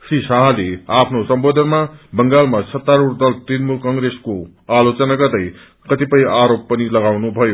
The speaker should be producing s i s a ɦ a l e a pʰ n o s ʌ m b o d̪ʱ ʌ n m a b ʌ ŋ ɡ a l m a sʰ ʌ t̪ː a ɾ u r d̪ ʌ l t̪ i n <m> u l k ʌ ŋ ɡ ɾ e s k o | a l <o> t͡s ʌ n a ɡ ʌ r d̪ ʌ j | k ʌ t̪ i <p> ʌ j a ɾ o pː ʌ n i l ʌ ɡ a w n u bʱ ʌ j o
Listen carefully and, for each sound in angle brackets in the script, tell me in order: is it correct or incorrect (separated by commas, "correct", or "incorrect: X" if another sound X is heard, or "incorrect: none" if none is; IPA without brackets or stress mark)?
correct, correct, correct